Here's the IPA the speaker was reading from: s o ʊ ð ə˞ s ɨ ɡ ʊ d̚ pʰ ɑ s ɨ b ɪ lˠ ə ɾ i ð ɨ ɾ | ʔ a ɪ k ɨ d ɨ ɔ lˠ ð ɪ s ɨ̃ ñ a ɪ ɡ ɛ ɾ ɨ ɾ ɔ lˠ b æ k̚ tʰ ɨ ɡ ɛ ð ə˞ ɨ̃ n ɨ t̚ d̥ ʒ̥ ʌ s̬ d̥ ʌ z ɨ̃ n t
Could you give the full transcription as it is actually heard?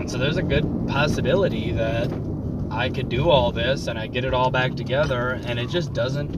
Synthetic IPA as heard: s o ʊ ð ə˞ z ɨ ɡ ʊ d̚ pʰ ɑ s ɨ b ɪ lˠ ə ɾ i ð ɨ ɾ | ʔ a ɪ k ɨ d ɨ ɔ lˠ ð ɪ s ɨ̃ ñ a ɪ ɡ ɛ ɾ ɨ ɾ ɔ lˠ b æ k̚ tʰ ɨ ɡ ɛ ð ə˞ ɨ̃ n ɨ t̚ d̥ ʒ̥ ʌ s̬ d̥ ʌ z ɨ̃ n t